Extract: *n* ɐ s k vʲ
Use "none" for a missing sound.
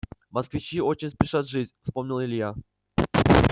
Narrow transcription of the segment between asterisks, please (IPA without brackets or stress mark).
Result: m